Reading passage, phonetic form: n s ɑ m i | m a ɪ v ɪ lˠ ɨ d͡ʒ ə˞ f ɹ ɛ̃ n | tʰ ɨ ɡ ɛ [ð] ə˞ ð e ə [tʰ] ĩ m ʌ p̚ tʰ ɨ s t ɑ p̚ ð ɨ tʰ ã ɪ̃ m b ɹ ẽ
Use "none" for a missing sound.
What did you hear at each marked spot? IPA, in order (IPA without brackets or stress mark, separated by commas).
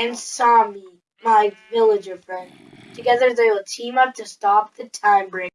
ð, tʰ